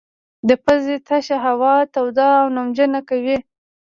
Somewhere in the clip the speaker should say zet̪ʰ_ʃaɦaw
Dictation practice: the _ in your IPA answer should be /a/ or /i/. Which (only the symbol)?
a